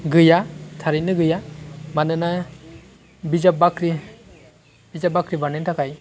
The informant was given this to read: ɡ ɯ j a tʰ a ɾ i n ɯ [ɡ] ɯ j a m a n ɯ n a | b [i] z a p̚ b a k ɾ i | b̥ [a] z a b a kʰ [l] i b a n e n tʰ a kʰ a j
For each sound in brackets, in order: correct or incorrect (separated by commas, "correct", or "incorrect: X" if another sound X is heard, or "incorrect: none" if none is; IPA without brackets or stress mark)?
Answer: correct, correct, incorrect: i, incorrect: ɾ